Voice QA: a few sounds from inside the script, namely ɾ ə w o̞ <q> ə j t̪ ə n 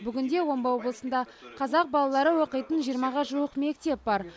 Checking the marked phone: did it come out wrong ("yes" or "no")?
no